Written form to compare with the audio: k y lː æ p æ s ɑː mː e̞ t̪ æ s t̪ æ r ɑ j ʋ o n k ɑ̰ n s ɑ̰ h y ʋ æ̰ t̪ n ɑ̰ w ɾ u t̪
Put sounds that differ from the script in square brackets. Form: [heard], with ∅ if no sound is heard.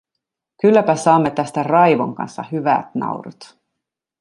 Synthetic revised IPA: k y lː æ p æ s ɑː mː e̞ t̪ æ s t̪ æ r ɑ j ʋ o [ŋ] k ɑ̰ n [sː] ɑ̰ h y ʋ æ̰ t̪ n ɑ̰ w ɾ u t̪